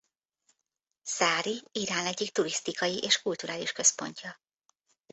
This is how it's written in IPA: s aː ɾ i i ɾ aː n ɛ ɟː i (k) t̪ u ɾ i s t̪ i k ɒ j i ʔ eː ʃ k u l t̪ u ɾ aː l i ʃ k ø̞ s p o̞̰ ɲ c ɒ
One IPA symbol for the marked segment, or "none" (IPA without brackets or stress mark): k